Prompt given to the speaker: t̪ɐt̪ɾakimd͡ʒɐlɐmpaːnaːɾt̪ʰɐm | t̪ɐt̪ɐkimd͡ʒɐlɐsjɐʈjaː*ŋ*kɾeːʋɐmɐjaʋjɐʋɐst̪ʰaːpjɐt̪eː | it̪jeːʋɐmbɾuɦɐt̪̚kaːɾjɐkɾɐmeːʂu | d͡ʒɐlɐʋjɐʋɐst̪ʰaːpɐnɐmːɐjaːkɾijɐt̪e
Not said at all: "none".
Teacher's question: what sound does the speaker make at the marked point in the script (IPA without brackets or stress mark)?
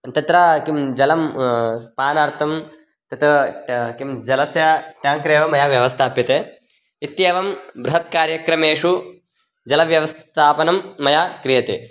ŋ